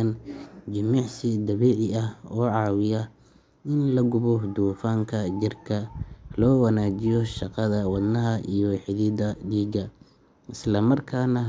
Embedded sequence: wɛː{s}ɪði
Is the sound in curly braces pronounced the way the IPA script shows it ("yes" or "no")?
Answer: no